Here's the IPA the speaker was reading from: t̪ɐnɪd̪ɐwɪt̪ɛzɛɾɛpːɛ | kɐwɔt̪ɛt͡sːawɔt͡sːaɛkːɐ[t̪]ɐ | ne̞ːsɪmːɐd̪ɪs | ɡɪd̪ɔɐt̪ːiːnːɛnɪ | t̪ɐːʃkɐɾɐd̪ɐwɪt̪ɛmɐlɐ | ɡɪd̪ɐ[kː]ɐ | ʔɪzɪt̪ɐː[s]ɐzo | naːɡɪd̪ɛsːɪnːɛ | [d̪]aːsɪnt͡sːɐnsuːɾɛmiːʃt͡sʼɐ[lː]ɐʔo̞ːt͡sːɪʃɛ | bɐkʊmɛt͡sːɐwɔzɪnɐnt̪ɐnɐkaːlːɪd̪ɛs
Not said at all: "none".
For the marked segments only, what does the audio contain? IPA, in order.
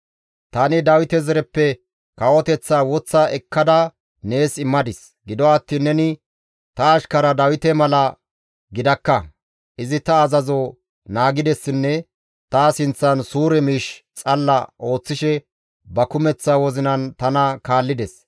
d̪, kː, z, t̪, lː

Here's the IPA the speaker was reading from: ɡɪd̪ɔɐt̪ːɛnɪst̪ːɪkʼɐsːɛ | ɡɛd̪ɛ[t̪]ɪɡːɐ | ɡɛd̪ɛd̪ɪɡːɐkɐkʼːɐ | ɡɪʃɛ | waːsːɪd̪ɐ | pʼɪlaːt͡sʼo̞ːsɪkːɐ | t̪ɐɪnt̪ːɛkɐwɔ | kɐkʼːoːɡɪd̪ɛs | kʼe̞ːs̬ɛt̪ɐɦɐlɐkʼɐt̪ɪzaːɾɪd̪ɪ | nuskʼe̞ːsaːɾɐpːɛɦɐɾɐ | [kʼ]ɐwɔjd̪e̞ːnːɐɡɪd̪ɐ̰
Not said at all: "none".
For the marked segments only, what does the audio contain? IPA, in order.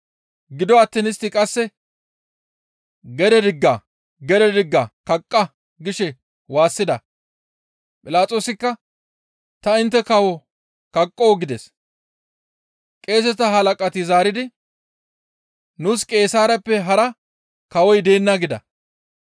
d̪, k

